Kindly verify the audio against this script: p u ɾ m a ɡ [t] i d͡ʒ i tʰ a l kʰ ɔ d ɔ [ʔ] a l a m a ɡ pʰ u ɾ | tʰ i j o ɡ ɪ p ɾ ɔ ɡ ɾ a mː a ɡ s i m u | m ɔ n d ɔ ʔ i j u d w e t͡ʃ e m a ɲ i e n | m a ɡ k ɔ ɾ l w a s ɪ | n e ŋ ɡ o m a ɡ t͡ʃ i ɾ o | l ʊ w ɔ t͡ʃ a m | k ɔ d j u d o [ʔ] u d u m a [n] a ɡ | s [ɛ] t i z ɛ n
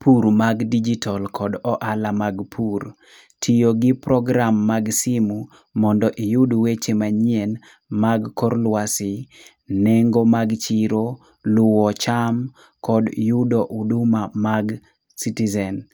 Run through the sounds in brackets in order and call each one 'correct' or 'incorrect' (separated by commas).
incorrect, correct, correct, incorrect, incorrect